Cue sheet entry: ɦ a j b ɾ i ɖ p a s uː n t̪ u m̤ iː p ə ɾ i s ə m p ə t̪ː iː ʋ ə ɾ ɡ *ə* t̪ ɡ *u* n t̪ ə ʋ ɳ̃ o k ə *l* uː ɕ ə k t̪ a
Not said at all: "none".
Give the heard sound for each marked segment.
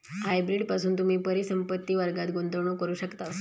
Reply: a, o, ɾ

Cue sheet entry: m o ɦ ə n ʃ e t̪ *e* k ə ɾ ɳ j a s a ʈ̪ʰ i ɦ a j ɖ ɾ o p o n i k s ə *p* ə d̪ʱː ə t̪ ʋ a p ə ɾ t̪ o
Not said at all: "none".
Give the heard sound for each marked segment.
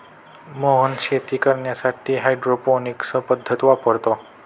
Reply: i, p

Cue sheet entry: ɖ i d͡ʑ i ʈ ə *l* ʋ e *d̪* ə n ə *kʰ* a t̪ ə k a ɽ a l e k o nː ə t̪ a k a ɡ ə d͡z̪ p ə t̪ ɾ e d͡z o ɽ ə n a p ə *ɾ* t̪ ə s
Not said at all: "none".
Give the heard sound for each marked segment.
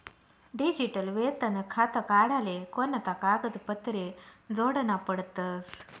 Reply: l, t̪, kʰ, ɽ

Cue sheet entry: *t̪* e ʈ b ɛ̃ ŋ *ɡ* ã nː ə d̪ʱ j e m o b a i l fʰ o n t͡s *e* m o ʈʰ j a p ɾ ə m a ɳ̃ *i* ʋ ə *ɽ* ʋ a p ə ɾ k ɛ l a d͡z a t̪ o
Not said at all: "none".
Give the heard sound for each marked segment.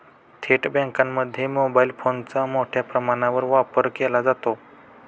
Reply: t̪ʰ, k, a, a, ɾ

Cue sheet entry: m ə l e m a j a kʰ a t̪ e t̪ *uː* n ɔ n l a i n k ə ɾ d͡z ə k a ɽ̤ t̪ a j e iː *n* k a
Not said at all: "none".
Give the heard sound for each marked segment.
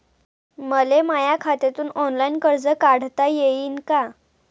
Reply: uː, n

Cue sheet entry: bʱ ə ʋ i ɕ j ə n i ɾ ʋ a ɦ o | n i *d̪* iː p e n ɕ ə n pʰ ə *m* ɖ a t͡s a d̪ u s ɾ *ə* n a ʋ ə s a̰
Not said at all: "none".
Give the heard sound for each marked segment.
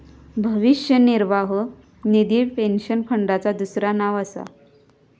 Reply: d̪, ɳ, a

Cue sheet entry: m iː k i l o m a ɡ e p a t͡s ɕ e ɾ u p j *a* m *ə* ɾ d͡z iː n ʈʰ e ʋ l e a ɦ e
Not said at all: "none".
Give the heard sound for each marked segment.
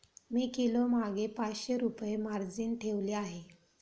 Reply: e, a

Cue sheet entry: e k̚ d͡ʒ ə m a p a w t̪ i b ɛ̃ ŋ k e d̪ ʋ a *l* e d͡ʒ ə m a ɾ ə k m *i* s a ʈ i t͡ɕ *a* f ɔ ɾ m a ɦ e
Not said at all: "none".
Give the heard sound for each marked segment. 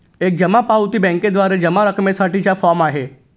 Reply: ɾ, e, a

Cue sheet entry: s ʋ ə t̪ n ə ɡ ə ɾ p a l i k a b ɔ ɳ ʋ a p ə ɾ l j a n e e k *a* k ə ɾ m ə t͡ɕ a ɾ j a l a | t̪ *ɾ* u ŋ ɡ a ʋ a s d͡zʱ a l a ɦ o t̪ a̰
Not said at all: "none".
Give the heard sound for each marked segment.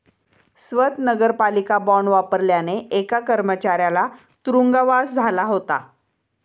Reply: a, ɾ

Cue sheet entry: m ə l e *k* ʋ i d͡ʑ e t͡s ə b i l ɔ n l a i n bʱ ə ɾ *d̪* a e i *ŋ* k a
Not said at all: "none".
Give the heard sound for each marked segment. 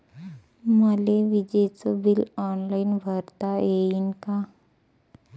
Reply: none, t̪, n

